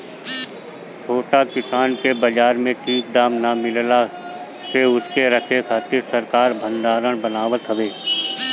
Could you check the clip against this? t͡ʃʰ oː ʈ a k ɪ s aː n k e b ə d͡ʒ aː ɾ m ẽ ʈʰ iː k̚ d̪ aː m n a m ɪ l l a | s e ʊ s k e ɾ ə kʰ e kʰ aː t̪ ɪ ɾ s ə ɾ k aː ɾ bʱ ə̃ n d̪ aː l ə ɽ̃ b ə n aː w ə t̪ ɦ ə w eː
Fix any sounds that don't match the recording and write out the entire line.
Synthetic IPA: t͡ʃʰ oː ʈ a k ɪ s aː n k e b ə d͡ʒ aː ɾ m ẽ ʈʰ iː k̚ d̪ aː m n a m ɪ l l a | s e ʊ s k e ɾ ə kʰ e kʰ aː t̪ ɪ ɾ s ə ɾ k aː ɾ bʱ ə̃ n d̪ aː ɾ ə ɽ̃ b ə n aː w ə t̪ ɦ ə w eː